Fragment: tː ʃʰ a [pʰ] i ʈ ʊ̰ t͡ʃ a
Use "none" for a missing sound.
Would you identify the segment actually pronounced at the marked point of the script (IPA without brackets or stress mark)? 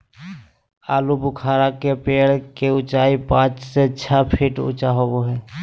pʰ